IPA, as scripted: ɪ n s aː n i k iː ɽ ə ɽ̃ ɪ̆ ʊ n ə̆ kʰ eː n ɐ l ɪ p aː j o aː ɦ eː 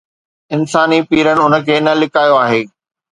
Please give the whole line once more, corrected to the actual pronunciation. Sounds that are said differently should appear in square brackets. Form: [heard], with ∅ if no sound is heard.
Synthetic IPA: ɪ n s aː n i [p] iː [ɾ] ə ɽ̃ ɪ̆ ʊ n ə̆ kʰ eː n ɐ l ɪ [k] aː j o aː ɦ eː